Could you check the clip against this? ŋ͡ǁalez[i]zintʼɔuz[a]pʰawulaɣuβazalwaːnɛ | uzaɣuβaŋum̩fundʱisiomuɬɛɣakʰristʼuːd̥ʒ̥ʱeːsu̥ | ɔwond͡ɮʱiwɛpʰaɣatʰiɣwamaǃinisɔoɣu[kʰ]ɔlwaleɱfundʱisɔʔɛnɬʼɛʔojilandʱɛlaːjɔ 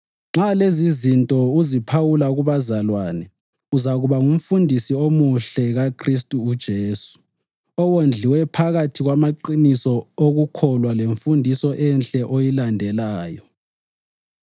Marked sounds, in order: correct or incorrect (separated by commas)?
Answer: correct, incorrect, correct